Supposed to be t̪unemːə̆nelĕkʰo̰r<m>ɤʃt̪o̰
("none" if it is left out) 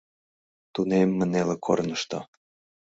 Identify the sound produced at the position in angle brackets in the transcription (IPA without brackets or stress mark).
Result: n